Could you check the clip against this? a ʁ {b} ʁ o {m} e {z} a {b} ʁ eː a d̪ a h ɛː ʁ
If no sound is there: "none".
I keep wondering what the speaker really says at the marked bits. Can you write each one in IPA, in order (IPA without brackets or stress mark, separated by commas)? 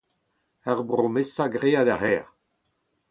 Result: b, m, s, ɡ